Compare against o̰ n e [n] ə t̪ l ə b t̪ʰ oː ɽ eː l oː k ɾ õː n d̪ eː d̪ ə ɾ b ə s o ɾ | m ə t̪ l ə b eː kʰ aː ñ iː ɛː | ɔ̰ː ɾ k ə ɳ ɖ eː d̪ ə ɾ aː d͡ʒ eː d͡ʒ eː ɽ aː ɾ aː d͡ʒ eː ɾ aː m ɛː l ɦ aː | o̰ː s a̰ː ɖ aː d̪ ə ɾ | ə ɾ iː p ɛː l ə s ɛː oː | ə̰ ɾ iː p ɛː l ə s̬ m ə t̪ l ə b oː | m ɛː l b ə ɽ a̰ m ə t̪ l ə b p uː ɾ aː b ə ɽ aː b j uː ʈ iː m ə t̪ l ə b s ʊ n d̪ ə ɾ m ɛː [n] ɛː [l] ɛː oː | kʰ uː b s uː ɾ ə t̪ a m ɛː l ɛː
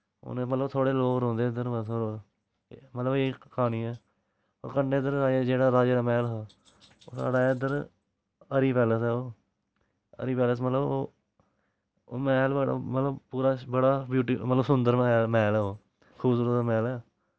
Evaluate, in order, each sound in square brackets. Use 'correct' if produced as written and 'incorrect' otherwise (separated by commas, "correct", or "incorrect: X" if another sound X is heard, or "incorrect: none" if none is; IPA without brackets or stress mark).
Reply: incorrect: m, incorrect: m, correct